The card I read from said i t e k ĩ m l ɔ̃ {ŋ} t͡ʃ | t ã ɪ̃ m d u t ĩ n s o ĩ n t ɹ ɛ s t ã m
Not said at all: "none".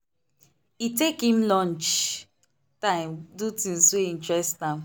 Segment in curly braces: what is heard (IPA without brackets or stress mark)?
n